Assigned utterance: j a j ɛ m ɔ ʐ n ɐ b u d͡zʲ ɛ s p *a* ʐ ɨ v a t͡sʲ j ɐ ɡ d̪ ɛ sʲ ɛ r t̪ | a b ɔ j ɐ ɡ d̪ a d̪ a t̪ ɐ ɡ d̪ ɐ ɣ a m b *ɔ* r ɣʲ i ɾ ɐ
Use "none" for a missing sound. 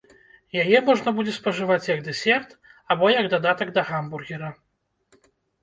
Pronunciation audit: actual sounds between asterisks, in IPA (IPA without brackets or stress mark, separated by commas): ɐ, u